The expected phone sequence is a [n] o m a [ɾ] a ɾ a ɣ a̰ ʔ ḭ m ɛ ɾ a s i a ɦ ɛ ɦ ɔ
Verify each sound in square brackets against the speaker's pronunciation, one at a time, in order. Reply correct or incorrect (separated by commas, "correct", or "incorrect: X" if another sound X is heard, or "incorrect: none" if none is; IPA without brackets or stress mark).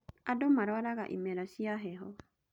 incorrect: d, correct